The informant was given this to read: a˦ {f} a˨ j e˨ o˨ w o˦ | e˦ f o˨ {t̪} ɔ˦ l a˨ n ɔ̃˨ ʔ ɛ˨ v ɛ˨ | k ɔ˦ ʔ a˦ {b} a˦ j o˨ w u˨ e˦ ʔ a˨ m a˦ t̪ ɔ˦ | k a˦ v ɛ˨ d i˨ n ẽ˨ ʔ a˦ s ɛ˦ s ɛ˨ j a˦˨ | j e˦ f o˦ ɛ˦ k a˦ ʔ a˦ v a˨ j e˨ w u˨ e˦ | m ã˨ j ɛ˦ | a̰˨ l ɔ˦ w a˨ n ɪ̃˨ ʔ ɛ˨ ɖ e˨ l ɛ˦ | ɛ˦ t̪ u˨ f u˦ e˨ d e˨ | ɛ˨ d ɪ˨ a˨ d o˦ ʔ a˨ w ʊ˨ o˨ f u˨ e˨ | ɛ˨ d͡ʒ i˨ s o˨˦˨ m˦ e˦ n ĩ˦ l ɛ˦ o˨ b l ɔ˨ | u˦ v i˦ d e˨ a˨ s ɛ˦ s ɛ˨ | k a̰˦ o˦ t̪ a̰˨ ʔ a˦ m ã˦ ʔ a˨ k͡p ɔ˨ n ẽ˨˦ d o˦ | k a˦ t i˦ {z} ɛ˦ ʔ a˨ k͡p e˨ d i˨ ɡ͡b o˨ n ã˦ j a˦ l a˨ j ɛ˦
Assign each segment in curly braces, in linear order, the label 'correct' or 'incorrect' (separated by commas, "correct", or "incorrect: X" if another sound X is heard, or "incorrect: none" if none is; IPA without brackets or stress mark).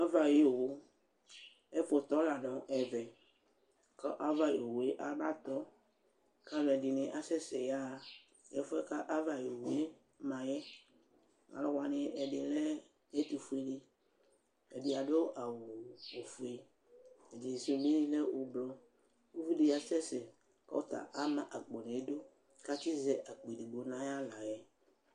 incorrect: v, correct, incorrect: v, correct